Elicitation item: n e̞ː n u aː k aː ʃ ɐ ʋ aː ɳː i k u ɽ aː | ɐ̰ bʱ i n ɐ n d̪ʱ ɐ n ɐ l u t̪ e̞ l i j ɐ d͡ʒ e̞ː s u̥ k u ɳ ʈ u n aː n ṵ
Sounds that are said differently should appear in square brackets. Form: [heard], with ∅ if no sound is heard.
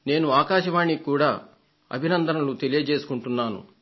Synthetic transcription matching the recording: n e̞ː n u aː k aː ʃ ɐ ʋ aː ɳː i k [uː] ɽ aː | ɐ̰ bʱ i n ɐ n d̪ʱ ɐ n ɐ l u t̪ e̞ l i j ɐ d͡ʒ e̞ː s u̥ k u ɳ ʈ u [nː] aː n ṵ